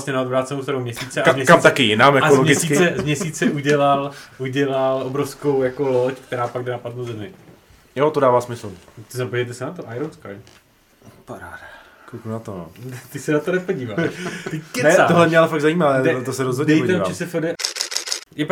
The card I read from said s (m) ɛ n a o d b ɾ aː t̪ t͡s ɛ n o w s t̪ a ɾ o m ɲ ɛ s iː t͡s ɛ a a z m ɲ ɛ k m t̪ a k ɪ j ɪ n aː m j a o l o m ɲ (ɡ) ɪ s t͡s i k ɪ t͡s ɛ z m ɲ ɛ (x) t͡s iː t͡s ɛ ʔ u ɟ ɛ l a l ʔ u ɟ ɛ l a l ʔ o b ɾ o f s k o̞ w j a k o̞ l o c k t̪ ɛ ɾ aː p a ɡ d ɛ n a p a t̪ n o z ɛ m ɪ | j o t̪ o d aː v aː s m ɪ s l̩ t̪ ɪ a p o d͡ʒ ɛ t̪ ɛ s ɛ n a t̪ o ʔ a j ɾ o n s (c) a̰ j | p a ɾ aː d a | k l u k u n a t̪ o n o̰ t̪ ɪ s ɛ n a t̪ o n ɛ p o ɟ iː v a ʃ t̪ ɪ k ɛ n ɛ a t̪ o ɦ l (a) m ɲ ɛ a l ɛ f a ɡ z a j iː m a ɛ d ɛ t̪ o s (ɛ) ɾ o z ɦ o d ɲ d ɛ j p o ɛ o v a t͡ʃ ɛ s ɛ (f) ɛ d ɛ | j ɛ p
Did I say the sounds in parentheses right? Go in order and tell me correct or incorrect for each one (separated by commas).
incorrect, correct, incorrect, incorrect, incorrect, correct, correct